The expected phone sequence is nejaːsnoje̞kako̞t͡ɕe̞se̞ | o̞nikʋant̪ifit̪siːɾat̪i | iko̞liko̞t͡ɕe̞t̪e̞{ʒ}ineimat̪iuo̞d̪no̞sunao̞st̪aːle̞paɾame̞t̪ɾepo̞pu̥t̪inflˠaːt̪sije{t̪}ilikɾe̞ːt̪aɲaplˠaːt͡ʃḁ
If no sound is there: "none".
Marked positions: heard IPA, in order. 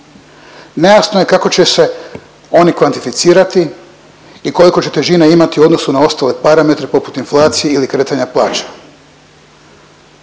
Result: ʒ, none

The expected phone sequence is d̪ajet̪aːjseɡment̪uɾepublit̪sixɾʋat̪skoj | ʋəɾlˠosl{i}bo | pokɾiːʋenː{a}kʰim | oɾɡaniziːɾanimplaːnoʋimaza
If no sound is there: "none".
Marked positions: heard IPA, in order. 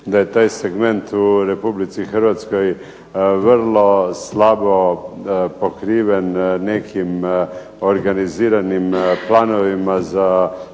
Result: a, e

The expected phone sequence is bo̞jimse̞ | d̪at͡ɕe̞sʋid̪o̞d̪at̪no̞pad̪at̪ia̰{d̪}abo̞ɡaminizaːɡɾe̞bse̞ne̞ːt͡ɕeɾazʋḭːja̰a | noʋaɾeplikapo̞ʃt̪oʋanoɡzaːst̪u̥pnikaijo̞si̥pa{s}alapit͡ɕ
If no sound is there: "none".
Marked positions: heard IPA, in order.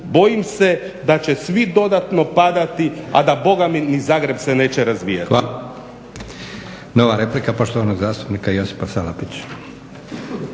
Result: d̪, s

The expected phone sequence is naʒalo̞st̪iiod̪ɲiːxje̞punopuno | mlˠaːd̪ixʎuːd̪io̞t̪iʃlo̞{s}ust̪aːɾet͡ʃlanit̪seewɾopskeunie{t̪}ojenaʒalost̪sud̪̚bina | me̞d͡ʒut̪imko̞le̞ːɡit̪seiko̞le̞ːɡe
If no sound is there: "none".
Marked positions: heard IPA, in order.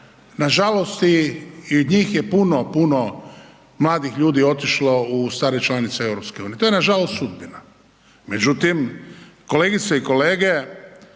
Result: none, t̪

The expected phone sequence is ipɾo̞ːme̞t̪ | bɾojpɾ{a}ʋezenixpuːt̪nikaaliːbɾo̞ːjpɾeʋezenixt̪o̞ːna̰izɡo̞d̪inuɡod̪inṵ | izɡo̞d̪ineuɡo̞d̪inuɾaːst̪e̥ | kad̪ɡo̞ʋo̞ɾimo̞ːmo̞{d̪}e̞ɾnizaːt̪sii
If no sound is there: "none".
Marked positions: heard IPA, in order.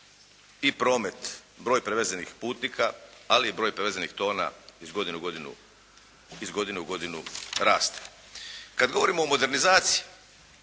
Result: e, d̪

